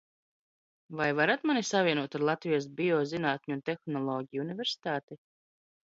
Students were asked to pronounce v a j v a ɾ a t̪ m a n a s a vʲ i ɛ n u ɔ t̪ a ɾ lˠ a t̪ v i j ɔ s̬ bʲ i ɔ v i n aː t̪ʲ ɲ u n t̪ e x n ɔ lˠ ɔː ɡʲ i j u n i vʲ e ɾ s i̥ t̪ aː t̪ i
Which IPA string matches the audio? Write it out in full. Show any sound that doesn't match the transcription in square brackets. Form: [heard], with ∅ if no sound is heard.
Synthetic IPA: v a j v a ɾ a t̪ m a n [i] s a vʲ i ɛ n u ɔ t̪ a ɾ lˠ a t̪ v i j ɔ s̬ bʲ i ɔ [z] i n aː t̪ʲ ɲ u n t̪ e x n ɔ lˠ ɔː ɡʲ i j u n i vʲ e ɾ s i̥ t̪ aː t̪ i